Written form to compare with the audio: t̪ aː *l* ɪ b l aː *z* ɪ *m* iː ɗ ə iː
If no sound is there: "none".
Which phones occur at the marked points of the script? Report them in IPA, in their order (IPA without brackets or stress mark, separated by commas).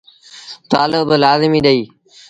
l, z, m